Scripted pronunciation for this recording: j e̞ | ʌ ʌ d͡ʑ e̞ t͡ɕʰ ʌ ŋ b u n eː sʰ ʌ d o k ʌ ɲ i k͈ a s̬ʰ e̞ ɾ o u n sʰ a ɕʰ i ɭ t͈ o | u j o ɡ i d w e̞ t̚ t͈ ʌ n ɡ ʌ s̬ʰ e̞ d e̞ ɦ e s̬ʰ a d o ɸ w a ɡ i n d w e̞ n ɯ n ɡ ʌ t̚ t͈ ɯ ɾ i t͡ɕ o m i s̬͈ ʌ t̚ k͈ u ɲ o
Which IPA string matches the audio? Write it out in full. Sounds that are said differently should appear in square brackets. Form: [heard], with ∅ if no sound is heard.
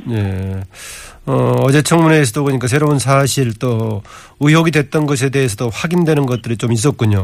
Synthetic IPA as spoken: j e̞ | ʌ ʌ d͡ʑ e̞ t͡ɕʰ ʌ ŋ [m] u n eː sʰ ʌ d o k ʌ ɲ i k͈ a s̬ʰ e̞ ɾ o u n sʰ a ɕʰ i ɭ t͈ o | u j o ɡ i d w e̞ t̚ t͈ ʌ n ɡ ʌ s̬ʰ e̞ d e̞ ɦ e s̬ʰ [ʌ] d o ɸ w a ɡ i n d w e̞ n ɯ n ɡ ʌ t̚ t͈ ɯ ɾ i t͡ɕ o m i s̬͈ ʌ t̚ k͈ u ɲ o